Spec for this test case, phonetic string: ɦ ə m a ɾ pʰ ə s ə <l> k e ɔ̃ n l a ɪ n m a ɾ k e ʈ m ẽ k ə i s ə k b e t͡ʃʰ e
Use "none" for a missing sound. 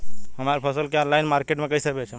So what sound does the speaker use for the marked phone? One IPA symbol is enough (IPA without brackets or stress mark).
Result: l